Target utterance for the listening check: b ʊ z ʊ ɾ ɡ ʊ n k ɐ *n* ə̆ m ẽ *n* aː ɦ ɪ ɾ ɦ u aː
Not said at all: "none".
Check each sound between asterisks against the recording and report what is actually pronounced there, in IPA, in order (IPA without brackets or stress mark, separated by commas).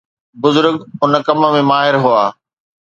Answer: m, m